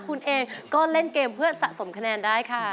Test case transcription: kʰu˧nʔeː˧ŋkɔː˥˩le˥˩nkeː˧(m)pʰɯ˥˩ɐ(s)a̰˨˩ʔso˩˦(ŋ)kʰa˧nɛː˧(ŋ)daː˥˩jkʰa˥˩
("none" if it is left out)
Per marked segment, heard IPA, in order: m, s, m, n

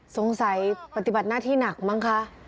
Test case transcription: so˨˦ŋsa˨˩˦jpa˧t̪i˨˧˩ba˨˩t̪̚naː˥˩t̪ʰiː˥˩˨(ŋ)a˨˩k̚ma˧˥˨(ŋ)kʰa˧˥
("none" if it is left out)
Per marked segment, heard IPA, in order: n, ŋ

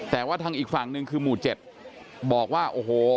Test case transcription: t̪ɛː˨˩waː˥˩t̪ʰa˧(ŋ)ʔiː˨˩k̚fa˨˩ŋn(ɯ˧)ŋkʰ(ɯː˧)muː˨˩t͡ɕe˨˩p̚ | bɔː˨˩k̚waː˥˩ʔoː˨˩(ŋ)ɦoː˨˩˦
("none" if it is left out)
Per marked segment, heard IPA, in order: ŋ, ɯ˧, ɯː˧, none

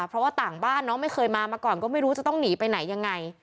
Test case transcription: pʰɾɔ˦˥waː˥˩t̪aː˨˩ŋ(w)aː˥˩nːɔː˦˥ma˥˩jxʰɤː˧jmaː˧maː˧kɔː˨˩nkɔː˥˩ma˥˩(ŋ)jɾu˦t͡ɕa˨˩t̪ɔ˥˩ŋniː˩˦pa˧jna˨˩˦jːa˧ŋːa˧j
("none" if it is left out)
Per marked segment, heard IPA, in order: b, none

